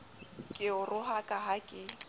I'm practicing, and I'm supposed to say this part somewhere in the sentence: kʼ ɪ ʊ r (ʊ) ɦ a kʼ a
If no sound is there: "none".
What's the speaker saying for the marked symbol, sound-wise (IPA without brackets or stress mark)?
ʊ